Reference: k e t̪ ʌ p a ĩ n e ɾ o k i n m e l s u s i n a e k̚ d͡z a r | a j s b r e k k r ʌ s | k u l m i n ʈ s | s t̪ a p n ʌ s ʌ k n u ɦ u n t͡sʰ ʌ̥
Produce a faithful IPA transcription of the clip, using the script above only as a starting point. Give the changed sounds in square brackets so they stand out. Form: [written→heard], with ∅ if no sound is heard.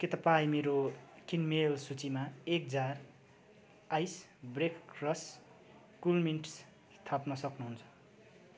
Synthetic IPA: k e t̪ ʌ p a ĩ [n→m] e ɾ o k i n m e l s u [s→t͡s] i [n→m] a e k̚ d͡z a r | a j s b r e k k r ʌ s | k u l m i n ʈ s | s [t̪→t̪ʰ] a p n ʌ s ʌ k n u ɦ u n t͡sʰ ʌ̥